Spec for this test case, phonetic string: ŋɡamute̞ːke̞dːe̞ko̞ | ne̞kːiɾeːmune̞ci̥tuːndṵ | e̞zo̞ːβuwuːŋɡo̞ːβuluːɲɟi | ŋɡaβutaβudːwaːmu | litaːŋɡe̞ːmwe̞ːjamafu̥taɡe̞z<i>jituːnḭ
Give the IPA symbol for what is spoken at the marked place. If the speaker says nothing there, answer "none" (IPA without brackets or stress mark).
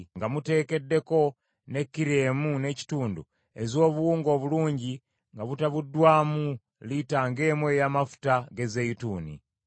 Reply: e